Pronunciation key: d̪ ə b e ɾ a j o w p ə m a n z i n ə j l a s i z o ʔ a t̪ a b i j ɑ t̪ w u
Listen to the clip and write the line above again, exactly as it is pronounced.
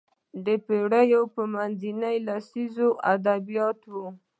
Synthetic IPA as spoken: d̪ ə p e ɽ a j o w p ə m a n z i n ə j l a s i z o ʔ a d̪ a b i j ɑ t̪ w u